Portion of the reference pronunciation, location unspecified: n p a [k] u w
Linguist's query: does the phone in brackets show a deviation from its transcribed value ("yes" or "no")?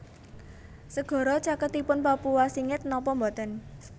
yes